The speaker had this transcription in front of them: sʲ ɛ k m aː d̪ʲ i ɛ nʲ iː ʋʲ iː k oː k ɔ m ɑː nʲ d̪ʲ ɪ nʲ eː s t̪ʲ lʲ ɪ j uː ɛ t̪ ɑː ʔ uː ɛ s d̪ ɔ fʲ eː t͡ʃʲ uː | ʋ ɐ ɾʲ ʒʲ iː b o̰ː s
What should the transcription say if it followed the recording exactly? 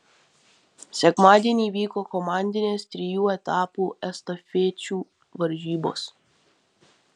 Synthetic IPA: sʲ ɛ k m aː d̪ʲ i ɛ nʲ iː ʋʲ iː k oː k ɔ m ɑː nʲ d̪ʲ ɪ nʲ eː s t̪ʲ ɾʲ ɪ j uː ɛ t̪ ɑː p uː ɛ s t̪ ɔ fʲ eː t͡ʃʲ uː | ʋ ɐ ɾʲ ʒʲ iː b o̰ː s